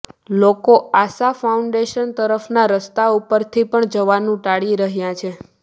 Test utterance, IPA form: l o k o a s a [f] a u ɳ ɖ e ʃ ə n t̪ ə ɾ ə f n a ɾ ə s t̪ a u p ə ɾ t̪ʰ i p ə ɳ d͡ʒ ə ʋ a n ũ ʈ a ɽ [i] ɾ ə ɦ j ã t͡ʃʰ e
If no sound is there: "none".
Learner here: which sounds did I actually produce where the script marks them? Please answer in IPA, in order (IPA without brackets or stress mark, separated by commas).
f, i